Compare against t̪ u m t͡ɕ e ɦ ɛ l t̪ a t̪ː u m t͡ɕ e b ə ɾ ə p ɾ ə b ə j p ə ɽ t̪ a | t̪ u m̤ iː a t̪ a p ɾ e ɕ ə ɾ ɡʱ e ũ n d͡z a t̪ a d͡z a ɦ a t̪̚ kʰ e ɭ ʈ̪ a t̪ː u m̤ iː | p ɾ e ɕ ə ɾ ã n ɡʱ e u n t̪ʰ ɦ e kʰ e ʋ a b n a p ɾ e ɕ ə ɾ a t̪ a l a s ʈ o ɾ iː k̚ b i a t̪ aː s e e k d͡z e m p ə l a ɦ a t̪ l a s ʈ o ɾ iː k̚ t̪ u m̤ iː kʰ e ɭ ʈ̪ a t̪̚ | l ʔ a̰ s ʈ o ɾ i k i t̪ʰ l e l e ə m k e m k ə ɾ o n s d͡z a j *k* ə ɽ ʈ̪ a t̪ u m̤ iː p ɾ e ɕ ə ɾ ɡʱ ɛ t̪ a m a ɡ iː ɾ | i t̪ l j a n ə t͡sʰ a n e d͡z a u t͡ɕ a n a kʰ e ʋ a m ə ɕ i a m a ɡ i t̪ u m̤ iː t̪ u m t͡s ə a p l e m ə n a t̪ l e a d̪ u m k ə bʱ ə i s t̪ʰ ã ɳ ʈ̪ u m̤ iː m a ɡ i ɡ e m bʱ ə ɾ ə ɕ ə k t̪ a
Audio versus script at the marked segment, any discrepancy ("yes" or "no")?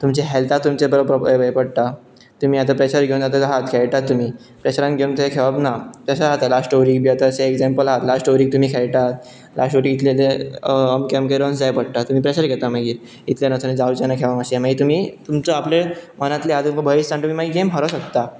yes